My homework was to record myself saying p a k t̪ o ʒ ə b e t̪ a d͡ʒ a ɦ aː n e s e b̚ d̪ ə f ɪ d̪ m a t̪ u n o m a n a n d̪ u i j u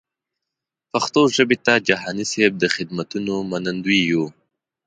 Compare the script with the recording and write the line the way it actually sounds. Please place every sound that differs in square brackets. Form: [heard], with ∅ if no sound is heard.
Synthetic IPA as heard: p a [x] t̪ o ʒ ə b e t̪ a d͡ʒ a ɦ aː n [i] s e b̚ d̪ ə [x] ɪ d̪ m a t̪ u n o m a n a n d̪ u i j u